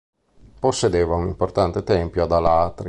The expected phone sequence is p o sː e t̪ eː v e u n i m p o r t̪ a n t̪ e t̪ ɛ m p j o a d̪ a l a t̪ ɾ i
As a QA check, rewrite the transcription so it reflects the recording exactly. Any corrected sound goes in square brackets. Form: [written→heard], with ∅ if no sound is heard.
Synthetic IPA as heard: p o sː e [t̪→d̪] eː v [e→a] u n i m p o r t̪ a n t̪ e t̪ ɛ m p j o a d̪ a l a t̪ ɾ i